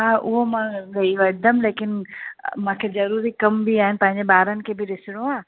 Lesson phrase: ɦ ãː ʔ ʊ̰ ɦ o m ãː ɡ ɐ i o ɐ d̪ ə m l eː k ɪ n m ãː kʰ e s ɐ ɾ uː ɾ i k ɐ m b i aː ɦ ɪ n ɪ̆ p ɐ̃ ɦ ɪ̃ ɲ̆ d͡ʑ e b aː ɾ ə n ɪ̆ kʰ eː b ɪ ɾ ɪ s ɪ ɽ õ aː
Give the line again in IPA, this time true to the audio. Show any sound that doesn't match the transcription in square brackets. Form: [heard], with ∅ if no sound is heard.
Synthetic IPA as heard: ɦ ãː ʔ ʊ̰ ɦ o m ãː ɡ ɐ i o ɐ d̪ ə m l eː k ɪ n m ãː kʰ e [z] ɐ ɾ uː ɾ i k ɐ m b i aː ɦ ɪ n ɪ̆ p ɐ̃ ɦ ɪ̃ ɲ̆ d͡ʑ e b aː ɾ ə n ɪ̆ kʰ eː b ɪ ɾ ɪ s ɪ ɽ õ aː